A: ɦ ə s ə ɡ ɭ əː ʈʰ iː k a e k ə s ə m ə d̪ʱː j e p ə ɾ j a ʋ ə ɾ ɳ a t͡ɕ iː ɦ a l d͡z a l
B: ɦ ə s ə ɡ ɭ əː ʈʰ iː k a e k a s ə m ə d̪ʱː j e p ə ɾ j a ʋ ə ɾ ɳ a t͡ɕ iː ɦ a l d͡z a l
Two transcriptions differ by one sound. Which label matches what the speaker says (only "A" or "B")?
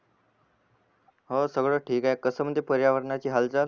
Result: A